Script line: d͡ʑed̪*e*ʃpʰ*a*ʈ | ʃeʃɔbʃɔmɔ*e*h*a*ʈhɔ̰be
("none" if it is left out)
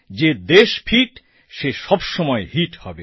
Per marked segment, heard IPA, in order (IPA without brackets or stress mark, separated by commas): e, i, e, i